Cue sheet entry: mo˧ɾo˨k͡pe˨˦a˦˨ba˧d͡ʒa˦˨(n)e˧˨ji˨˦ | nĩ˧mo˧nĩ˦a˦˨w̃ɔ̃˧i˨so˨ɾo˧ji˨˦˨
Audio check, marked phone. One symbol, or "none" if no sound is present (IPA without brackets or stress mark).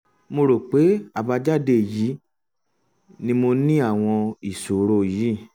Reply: d